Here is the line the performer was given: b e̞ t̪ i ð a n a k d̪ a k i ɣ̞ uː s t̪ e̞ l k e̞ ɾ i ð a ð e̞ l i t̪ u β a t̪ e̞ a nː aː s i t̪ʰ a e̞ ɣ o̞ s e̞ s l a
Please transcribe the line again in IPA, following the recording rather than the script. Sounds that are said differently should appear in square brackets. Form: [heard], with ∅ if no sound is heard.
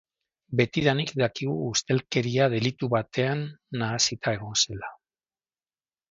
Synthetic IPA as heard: b e̞ t̪ i ð a n [i] k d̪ a k i ɣ̞ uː s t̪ e̞ l k e̞ ɾ i [∅] a ð e̞ l i t̪ u β a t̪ e̞ a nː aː s i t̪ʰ a e̞ ɣ o̞ s e̞ [∅] l a